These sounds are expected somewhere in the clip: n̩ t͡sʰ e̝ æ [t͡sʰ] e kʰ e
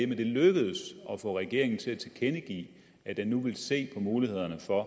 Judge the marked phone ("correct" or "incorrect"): correct